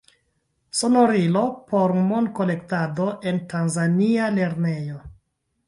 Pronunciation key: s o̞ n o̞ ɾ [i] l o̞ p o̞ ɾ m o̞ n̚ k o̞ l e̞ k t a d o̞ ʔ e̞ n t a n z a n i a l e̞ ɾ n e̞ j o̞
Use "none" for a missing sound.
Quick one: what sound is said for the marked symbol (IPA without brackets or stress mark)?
i